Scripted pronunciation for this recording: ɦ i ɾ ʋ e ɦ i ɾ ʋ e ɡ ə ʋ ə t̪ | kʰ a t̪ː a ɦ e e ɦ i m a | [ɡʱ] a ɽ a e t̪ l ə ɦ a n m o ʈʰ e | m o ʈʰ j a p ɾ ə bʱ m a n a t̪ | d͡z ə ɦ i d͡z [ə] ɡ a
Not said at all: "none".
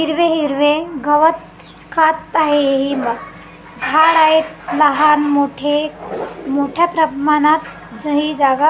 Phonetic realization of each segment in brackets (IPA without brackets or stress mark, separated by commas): ɡʱ, a